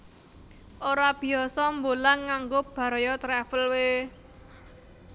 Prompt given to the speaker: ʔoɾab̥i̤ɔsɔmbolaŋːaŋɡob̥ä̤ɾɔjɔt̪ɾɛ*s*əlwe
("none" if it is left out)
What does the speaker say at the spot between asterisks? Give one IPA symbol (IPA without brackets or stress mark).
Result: f